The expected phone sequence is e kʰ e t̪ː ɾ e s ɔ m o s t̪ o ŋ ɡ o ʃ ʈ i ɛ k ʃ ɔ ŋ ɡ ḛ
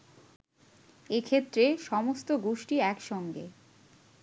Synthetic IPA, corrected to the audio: e kʰ e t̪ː ɾ e ʃ ɔ m o s t̪ o ɡ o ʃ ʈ i ɛ k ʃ ɔ ŋ ɡ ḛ